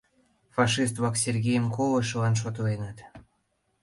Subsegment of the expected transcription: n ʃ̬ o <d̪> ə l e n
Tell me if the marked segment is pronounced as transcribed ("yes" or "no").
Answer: no